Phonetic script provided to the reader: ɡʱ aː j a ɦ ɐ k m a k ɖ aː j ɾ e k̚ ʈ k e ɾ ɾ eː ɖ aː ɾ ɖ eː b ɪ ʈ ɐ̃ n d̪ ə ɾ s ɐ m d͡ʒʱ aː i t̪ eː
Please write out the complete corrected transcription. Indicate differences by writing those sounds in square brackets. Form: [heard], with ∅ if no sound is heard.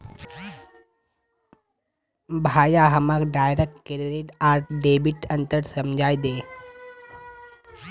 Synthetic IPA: [bʱ] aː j a ɦ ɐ [∅] m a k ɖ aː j ɾ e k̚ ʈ k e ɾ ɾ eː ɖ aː ɾ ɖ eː b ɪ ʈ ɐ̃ n [t̪] ə ɾ s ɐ m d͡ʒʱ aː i [d̪] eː